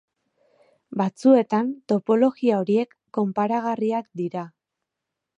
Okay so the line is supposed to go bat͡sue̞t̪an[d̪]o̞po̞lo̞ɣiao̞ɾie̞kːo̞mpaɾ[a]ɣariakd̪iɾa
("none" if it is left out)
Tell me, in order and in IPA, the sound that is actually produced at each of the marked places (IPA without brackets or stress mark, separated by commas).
t̪, a